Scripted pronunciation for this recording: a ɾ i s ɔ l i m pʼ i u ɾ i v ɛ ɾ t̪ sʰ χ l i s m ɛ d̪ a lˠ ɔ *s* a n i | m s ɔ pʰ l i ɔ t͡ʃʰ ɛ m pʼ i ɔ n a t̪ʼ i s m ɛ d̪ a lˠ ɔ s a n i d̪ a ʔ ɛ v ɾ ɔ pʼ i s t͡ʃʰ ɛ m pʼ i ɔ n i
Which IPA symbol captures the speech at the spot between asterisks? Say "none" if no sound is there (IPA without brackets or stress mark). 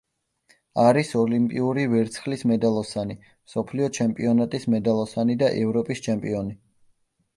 s